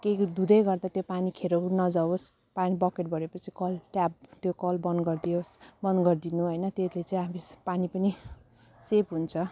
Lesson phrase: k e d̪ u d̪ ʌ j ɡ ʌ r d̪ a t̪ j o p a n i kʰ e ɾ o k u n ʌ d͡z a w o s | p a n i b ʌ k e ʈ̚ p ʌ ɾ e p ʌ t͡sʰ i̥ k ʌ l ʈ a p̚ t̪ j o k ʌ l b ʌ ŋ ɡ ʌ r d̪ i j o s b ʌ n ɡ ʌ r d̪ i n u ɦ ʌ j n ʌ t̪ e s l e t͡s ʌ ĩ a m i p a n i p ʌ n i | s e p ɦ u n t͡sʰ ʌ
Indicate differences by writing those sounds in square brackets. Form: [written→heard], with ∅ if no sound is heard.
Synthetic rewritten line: k e d̪ u d̪ ʌ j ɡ ʌ r d̪ a t̪ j o p a n i kʰ e ɾ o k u n ʌ d͡z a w o s | p a n i b ʌ k e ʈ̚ [p→b] ʌ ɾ e p ʌ t͡sʰ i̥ k ʌ l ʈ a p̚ t̪ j o k ʌ l b ʌ [ŋ→n] ɡ ʌ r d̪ i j o s b ʌ n ɡ ʌ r d̪ i n u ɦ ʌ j n ʌ t̪ e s l e t͡s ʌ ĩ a m i p a n i p ʌ n i | s e p ɦ u n t͡sʰ ʌ